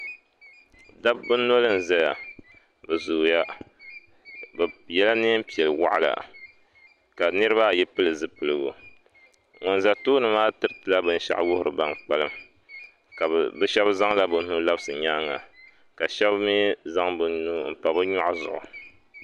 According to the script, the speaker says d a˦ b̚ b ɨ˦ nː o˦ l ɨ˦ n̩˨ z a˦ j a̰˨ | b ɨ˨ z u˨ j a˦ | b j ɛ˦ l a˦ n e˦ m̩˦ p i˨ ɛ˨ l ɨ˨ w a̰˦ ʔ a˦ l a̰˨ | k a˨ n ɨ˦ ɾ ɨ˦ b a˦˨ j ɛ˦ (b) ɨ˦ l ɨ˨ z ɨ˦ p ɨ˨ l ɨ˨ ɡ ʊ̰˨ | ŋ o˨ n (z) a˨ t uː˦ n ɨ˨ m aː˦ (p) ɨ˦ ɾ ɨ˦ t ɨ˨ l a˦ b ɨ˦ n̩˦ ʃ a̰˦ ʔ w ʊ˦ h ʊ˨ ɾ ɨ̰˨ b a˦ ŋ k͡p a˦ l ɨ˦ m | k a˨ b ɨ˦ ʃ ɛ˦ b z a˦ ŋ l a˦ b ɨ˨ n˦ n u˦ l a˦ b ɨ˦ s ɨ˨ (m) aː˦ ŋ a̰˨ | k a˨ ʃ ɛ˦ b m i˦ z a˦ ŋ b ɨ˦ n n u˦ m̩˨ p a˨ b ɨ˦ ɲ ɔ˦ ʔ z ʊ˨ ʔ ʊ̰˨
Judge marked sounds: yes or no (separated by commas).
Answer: no, yes, no, no